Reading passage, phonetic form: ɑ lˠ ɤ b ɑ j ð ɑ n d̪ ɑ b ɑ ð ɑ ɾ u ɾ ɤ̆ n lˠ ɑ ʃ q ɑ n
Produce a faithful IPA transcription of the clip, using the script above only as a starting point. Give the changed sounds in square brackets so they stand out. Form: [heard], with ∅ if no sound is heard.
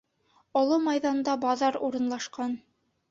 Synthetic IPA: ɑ lˠ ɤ [m] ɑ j ð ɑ n d̪ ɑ b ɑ ð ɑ ɾ u ɾ ɤ̆ n lˠ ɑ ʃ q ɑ n